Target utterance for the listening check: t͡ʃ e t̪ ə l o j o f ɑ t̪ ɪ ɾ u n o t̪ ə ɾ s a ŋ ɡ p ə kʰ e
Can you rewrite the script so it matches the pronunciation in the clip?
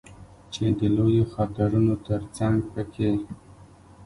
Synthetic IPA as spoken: t͡ʃ e d̪ ə l o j o x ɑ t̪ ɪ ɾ u n o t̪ ə ɾ t͡s a ŋ ɡ p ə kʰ e